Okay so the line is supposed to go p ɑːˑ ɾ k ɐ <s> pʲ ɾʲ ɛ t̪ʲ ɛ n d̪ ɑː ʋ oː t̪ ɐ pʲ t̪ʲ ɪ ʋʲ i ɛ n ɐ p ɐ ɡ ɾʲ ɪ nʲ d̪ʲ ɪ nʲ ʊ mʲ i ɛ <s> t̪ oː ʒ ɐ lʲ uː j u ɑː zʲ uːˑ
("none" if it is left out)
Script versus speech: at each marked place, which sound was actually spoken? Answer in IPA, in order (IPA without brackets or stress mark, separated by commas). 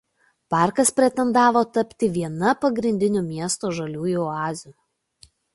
s, s